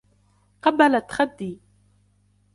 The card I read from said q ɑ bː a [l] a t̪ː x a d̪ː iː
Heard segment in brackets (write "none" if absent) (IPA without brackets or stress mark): l